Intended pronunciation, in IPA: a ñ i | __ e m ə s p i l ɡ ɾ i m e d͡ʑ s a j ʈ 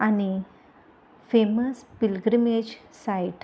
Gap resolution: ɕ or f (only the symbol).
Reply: f